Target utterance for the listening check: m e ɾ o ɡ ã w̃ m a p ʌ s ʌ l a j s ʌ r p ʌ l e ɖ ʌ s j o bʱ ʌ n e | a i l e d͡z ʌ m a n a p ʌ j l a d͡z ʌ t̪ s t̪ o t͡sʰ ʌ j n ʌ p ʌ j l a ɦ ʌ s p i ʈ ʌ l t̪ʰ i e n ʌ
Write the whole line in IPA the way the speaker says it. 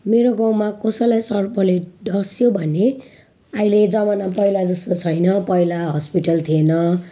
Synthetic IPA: m e ɾ o ɡ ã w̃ m a k ʌ s ʌ l a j s ʌ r p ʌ l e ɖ ʌ s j o bʱ ʌ n e | a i l e d͡z ʌ m a n a p ʌ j l a d͡z ʌ s t̪ o t͡sʰ ʌ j n ʌ p ʌ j l a ɦ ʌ s p i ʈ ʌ l t̪ʰ i e n ʌ